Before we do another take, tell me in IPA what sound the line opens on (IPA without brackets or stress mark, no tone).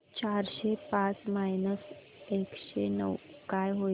t͡ɕ